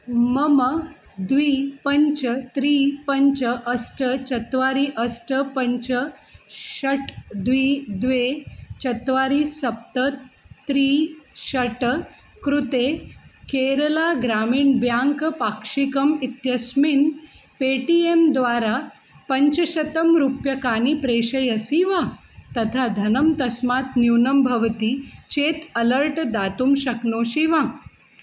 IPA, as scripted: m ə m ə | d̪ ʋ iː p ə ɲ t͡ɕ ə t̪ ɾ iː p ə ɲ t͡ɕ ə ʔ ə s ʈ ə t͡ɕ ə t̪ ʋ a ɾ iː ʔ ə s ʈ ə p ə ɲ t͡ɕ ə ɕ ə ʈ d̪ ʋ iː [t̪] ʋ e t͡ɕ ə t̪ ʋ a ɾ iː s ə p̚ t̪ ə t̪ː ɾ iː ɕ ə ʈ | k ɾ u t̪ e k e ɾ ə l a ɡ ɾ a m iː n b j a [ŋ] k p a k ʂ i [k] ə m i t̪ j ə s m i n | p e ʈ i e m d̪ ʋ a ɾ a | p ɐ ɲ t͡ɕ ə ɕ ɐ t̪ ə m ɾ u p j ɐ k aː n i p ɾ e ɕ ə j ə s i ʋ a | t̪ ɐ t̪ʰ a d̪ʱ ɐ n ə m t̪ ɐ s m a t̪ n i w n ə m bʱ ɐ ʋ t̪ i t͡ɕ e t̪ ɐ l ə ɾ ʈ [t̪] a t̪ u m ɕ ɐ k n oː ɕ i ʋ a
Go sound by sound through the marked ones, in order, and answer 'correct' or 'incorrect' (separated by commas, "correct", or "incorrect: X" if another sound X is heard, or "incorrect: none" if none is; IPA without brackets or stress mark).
incorrect: d̪, correct, correct, incorrect: d̪